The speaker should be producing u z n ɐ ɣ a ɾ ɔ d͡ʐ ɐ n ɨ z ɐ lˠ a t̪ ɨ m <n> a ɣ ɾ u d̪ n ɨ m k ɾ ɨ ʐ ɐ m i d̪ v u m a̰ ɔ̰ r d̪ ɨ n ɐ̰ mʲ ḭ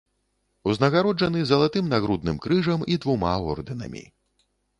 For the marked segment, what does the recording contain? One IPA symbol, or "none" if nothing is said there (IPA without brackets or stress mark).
n